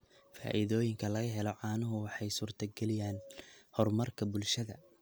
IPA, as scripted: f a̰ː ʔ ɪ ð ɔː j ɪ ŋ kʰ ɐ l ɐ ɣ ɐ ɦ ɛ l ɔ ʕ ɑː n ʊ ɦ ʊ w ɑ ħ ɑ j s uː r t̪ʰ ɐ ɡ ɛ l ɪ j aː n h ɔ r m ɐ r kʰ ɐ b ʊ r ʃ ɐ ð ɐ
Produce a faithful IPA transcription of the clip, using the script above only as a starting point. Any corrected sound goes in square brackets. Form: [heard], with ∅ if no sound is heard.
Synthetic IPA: f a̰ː ʔ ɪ ð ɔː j ɪ ŋ kʰ ɐ l ɐ ɣ ɐ ɦ ɛ l ɔ ʕ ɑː n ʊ ɦ ʊ w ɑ ħ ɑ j s uː r t̪ʰ ɐ ɡ ɛ l ɪ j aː n h ɔ r m ɐ r kʰ ɐ b ʊ [l] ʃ ɐ ð ɐ

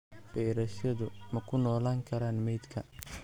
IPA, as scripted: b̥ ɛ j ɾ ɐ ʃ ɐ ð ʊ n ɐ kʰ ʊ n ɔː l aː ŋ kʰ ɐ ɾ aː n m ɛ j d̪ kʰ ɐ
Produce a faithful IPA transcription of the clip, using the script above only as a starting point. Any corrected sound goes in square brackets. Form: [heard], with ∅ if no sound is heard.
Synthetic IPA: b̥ ɛ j ɾ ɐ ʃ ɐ ð ʊ [m] ɐ kʰ ʊ n ɔː l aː ŋ kʰ ɐ ɾ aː n m ɛ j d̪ kʰ ɐ

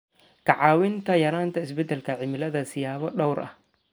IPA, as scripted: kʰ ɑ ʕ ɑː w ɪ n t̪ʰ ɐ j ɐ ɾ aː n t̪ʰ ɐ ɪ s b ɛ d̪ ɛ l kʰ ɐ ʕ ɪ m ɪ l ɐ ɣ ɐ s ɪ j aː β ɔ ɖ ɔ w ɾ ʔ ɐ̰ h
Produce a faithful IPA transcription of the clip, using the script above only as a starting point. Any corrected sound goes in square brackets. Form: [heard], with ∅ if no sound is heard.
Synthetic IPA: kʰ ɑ ʕ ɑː w ɪ n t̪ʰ ɐ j ɐ ɾ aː n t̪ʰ ɐ ɪ s b ɛ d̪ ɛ l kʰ ɐ ʕ ɪ m ɪ l ɐ [ð] ɐ s ɪ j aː β ɔ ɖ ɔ w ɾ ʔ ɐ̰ h

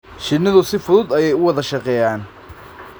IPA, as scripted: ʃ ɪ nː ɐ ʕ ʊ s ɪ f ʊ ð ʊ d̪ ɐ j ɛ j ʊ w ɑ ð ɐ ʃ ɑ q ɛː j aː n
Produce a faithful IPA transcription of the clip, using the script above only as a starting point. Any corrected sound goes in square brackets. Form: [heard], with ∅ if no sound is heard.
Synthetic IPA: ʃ ɪ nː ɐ [ð] ʊ s ɪ f ʊ ð ʊ d̪ ɐ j ɛ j ʊ w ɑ ð ɐ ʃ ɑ q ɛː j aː n

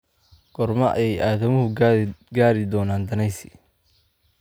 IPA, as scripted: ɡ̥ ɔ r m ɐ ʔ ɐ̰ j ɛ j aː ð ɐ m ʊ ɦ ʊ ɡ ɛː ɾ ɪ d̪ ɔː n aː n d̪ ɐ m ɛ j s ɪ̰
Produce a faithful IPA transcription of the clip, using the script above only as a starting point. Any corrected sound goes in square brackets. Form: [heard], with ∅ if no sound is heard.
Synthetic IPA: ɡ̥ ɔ r m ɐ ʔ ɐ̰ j ɛ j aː ð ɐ m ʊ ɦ ʊ ɡ [aː] ɾ ɪ d̪ ɔː n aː n d̪ ɐ [n] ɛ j s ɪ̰

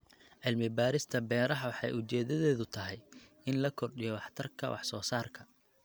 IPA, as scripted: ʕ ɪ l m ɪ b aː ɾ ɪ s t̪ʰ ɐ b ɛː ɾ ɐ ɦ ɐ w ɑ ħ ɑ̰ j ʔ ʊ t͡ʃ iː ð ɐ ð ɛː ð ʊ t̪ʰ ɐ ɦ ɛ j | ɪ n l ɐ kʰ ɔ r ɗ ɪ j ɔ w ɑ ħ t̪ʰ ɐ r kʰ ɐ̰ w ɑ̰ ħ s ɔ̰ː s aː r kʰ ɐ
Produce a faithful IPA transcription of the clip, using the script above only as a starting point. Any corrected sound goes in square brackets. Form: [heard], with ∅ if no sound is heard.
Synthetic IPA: ʕ ɪ l m ɪ b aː ɾ ɪ s t̪ʰ ɐ b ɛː ɾ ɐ ɦ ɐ w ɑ ħ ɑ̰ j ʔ ʊ t͡ʃ [ɛː] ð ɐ ð ɛː ð ʊ t̪ʰ ɐ ɦ ɛ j | ɪ n l ɐ kʰ ɔ r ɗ ɪ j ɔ w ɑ ħ t̪ʰ ɐ r kʰ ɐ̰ w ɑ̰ ħ s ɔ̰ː s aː r kʰ ɐ

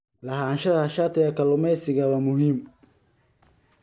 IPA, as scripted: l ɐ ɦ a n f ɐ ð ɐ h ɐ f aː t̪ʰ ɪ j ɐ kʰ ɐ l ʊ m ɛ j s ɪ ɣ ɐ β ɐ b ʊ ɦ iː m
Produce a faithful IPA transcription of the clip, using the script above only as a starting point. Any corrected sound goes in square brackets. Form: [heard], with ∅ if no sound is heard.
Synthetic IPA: l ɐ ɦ a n [ʃ] ɐ ð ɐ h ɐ [ʃ] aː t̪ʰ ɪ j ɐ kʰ ɐ l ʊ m ɛ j s ɪ ɣ ɐ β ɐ [m] ʊ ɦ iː m

